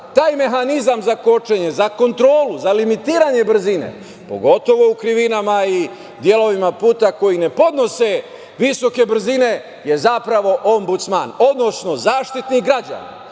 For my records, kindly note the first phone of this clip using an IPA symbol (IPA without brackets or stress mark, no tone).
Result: t̪